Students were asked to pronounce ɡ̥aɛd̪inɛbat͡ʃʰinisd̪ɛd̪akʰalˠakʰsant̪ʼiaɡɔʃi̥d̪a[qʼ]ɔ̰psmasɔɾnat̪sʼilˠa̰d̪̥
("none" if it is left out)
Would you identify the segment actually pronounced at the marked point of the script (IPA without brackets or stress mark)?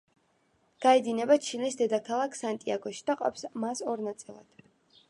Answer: qʼ